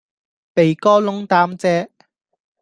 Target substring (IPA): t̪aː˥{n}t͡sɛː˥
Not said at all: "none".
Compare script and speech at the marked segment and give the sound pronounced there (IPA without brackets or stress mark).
m